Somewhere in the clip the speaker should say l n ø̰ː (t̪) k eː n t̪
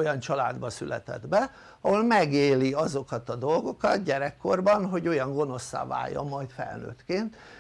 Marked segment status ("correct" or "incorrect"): correct